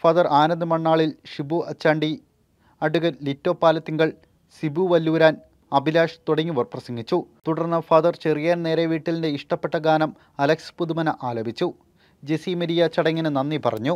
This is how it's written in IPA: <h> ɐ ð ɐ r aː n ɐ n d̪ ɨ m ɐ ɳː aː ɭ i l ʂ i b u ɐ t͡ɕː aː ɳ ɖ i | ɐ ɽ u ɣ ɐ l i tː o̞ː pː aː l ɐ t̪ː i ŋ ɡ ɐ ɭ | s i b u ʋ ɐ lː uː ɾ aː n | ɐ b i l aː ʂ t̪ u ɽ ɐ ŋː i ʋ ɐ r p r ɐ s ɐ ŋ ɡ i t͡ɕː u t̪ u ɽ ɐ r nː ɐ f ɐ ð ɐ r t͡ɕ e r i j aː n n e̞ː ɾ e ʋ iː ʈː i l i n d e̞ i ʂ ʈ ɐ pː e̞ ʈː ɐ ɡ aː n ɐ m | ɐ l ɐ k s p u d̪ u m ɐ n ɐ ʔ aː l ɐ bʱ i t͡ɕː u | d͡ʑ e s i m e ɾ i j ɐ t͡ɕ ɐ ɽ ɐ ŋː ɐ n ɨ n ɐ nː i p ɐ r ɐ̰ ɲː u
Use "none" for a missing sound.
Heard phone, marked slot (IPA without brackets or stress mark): f